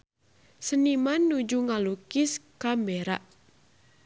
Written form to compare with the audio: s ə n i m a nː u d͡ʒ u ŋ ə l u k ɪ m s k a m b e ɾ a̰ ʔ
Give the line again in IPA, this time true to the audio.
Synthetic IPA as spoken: s ə n i m a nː u d͡ʒ u ŋ a l u k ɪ s k a m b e ɾ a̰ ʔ